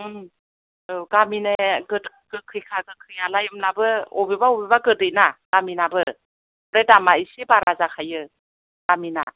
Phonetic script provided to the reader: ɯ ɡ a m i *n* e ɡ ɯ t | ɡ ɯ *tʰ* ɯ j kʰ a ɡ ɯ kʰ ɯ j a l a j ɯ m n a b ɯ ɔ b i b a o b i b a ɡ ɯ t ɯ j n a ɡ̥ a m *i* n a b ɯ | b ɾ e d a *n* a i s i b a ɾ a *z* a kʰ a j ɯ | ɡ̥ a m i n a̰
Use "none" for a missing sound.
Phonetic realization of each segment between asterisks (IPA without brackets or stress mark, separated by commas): n, kʰ, i, m, z